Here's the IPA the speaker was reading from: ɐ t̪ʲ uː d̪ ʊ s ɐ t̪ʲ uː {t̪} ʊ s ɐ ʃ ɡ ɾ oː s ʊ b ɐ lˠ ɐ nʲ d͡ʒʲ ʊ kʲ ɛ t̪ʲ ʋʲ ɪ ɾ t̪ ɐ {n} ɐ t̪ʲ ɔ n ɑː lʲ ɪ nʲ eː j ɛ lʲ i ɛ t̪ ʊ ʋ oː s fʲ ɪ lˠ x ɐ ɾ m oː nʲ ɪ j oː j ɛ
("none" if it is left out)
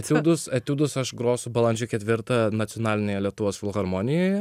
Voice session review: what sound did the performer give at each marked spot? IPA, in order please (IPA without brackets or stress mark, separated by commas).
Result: d̪, n